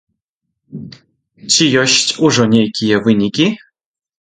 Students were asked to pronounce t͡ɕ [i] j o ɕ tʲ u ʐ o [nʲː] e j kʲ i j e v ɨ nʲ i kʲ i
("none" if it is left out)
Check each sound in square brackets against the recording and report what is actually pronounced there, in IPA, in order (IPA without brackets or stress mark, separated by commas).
i, nʲ